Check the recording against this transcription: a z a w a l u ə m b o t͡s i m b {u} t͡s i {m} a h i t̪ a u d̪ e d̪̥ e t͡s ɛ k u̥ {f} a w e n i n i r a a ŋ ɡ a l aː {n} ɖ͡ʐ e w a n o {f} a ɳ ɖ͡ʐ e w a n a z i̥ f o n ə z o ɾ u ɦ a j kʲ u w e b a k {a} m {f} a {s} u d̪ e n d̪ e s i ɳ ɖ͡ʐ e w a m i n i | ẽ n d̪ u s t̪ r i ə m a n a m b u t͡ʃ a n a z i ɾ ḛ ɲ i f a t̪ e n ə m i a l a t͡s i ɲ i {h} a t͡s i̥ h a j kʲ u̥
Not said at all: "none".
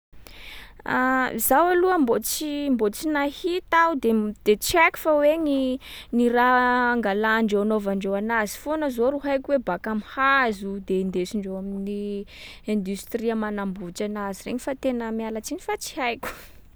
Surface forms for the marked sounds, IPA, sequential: o, n, f, ɳ, v, a, h, z, f

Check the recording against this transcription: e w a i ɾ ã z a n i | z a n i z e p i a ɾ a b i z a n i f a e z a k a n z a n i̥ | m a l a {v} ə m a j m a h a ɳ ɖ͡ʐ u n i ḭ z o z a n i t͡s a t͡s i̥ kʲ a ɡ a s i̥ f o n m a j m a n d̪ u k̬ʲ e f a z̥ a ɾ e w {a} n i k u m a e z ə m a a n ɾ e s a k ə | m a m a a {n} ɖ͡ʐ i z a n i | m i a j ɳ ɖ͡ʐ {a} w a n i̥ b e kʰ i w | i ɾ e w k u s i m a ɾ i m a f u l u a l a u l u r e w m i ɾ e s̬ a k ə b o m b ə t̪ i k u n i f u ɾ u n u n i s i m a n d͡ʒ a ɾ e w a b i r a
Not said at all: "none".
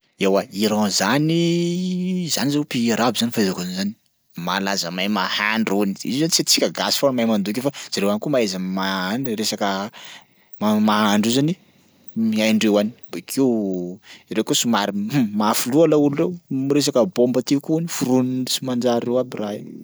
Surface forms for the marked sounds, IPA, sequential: z, a, ɳ, e

